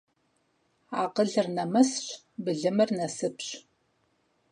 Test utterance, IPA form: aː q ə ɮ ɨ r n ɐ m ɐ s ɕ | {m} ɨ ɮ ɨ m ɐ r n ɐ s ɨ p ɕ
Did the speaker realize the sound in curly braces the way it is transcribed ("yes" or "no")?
no